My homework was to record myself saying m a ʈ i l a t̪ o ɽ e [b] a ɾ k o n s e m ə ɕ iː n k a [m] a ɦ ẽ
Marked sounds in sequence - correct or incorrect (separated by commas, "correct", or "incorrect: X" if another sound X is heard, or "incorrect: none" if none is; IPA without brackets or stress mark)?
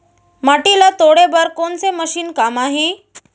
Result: correct, correct